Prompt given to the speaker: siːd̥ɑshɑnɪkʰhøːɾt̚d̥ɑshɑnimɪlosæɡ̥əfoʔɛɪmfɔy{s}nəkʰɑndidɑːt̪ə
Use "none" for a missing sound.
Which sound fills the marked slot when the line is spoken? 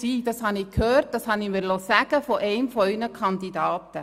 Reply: none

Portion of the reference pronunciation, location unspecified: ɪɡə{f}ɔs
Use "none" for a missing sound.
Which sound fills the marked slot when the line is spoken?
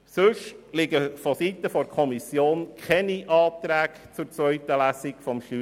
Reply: f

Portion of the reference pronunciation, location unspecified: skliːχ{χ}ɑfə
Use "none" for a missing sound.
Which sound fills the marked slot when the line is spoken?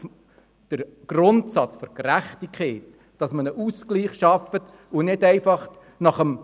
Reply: ʃ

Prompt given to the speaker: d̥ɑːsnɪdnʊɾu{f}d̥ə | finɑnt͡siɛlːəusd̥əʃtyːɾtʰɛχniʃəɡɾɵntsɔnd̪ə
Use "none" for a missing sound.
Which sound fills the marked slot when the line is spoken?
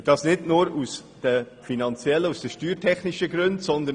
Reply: s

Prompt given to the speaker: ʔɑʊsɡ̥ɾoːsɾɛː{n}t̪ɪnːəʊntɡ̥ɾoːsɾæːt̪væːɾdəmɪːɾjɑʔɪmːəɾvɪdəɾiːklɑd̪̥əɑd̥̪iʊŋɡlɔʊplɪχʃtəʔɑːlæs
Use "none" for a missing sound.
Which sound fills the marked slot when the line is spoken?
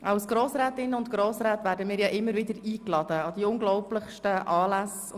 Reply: none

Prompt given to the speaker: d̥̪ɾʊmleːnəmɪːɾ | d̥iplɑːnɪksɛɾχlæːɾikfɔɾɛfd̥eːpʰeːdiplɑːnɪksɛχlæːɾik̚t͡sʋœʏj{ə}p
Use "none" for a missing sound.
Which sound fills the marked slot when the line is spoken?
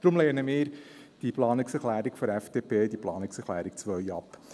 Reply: ɑ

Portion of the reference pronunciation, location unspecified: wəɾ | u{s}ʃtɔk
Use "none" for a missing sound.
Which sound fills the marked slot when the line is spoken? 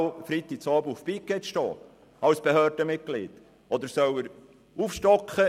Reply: f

